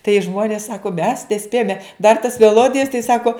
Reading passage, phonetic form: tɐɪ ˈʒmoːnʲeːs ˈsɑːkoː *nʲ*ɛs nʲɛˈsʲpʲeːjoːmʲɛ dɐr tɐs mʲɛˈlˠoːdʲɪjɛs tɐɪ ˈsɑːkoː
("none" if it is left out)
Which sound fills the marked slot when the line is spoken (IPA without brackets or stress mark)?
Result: mʲ